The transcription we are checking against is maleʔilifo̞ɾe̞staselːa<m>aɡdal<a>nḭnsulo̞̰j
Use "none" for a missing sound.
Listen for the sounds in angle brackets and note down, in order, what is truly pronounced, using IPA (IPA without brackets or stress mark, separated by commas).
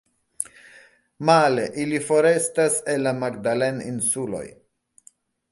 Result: m, e